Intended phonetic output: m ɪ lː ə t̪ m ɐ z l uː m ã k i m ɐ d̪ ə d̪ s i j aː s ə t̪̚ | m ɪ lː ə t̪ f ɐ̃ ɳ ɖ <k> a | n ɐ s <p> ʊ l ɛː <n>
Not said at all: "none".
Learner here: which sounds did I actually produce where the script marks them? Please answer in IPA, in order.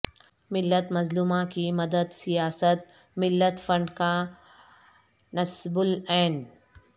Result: k, b, n

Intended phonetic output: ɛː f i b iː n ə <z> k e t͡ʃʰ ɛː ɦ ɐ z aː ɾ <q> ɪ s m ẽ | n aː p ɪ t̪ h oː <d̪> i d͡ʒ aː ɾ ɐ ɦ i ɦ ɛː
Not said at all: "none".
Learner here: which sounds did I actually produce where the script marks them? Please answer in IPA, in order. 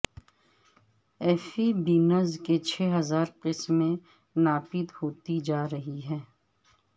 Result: z, q, t̪

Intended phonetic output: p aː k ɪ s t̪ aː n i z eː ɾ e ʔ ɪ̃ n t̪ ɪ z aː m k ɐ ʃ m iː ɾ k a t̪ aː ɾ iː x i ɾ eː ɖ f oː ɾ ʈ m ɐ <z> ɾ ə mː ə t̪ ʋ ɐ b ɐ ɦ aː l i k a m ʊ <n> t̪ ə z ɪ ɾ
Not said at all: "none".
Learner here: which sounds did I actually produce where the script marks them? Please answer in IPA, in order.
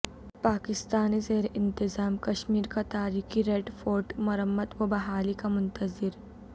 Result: none, n

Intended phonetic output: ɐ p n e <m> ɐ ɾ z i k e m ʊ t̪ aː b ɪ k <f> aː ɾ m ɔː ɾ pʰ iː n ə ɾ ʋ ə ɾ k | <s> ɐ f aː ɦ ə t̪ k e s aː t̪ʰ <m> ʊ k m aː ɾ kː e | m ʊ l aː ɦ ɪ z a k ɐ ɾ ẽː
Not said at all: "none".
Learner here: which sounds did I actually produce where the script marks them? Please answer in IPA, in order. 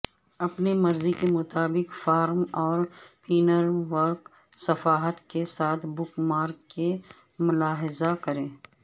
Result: m, f, s, b

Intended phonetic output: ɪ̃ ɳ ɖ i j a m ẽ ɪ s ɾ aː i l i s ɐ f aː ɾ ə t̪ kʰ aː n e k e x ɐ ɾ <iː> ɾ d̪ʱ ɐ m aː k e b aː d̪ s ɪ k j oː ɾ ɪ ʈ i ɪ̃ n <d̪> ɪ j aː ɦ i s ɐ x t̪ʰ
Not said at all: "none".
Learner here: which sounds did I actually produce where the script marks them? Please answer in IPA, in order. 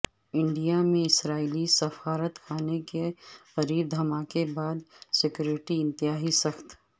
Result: iː, t̪

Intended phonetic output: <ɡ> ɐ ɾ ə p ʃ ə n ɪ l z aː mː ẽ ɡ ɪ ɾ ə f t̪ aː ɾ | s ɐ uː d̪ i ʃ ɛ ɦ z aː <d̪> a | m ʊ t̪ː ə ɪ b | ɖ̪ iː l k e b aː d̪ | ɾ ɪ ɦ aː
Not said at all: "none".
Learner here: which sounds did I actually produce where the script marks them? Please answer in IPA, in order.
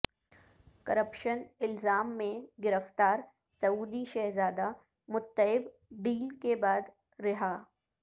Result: k, d̪

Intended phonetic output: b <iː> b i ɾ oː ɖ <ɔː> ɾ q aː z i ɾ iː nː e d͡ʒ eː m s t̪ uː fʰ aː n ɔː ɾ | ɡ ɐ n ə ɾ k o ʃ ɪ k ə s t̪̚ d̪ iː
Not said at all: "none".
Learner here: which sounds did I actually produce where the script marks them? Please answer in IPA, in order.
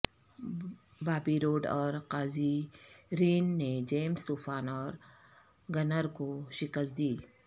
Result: aː, ɔː

